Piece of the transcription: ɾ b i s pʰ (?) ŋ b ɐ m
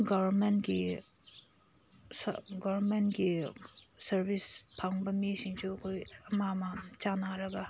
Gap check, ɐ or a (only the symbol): a